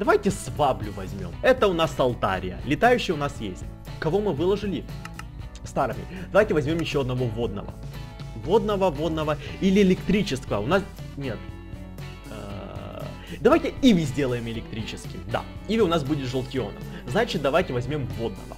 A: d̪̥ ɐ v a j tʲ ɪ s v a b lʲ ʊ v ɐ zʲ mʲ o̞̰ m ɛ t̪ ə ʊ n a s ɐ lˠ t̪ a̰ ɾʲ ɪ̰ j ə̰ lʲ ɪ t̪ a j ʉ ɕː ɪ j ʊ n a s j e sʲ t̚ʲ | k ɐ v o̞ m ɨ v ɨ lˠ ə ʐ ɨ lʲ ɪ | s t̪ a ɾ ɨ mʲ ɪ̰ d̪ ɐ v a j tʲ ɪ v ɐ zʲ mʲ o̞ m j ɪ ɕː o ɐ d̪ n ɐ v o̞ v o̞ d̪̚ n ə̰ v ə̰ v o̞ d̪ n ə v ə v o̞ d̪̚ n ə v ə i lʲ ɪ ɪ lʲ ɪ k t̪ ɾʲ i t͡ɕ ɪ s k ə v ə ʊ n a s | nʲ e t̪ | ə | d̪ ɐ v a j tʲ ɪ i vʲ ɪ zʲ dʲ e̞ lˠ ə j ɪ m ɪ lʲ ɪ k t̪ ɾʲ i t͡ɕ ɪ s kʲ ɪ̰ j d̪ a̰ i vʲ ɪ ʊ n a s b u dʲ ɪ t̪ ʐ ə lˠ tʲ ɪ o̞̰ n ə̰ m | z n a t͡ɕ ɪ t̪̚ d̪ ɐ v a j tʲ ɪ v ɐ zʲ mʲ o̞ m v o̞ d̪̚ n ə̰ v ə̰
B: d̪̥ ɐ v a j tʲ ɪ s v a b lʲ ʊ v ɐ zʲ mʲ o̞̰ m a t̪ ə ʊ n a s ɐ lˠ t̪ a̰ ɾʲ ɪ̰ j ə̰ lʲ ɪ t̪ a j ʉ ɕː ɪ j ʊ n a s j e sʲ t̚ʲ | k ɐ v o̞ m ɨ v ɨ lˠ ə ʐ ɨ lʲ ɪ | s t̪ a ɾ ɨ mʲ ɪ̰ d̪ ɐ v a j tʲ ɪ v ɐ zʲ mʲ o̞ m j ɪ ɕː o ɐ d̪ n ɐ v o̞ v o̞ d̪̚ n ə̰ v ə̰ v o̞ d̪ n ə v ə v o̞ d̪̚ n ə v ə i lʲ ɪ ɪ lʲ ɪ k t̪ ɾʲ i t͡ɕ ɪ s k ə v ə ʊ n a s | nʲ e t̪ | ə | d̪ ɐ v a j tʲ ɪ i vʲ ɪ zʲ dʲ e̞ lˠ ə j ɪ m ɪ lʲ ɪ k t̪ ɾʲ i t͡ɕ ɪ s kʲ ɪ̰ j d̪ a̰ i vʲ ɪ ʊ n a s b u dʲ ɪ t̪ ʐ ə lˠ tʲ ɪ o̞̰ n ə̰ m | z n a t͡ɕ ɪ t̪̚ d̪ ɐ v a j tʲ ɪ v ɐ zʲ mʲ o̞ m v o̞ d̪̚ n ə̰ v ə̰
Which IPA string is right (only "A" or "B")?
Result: A